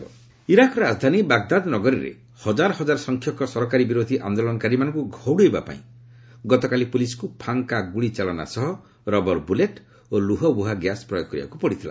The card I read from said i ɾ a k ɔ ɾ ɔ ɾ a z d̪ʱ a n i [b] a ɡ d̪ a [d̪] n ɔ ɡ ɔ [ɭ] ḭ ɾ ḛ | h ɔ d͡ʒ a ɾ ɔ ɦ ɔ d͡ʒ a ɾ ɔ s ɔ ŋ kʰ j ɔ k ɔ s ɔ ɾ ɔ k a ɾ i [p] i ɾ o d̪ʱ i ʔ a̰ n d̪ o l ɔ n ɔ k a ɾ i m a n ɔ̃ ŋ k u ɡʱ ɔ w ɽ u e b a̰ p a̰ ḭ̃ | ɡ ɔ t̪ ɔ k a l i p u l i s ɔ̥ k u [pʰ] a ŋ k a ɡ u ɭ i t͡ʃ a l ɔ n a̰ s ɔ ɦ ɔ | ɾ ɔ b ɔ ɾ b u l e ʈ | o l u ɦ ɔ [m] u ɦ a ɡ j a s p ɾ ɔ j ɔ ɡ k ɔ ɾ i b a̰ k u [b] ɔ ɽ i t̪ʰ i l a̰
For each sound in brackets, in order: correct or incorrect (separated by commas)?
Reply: correct, correct, incorrect, incorrect, correct, incorrect, incorrect